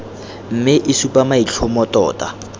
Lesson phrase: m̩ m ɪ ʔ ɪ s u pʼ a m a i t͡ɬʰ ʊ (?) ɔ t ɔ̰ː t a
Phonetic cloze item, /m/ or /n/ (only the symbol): m